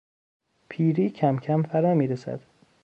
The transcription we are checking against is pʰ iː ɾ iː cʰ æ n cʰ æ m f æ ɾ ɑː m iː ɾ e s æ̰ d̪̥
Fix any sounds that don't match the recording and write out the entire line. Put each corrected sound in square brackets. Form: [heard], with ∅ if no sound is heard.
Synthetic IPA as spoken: pʰ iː ɾ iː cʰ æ [m] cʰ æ m f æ ɾ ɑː m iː ɾ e s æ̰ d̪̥